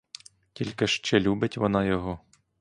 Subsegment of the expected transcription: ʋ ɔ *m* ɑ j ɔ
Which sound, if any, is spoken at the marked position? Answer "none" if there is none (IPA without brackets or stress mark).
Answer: n